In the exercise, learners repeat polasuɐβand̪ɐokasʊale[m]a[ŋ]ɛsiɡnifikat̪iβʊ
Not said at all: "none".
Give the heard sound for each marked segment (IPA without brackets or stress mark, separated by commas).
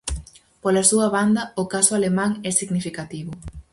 m, ŋ